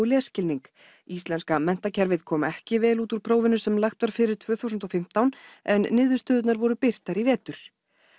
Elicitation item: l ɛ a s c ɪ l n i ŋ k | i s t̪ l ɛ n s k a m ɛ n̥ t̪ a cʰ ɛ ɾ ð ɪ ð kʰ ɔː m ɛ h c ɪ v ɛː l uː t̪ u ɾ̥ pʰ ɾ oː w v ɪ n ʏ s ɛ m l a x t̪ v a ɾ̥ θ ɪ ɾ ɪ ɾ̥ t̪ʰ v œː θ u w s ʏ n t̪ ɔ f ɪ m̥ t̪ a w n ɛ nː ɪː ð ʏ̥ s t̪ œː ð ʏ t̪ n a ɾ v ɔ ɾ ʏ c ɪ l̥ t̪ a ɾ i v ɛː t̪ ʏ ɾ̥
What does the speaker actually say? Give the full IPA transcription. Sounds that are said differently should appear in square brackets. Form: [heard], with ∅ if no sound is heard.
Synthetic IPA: l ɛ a s c ɪ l n i ŋ k | i s t̪ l ɛ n s k a m ɛ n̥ t̪ a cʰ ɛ ɾ [v] ɪ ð kʰ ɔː m ɛ h c ɪ v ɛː l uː t̪ u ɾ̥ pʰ ɾ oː w v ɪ n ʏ s ɛ m l a x t̪ v a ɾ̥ [f] ɪ ɾ ɪ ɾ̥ t̪ʰ v œː θ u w s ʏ n t̪ ɔ f ɪ m̥ t̪ a w n ɛ nː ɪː ð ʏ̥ s t̪ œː ð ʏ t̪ n a ɾ v ɔ ɾ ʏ [p] ɪ [r̥] t̪ a ɾ i v ɛː t̪ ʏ ɾ̥